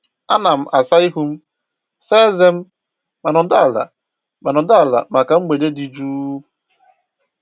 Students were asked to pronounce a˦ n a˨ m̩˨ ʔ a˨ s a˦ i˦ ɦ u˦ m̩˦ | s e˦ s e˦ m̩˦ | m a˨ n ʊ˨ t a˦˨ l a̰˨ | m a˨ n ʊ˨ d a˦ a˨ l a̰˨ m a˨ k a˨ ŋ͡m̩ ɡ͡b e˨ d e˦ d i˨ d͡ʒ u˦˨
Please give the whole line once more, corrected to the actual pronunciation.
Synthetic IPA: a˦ n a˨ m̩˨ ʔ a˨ s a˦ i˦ ɦ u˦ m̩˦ | s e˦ z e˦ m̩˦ | m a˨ n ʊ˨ d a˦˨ l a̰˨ | m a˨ n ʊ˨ d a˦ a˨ l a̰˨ m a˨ k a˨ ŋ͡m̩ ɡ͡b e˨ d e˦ d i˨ d͡ʒ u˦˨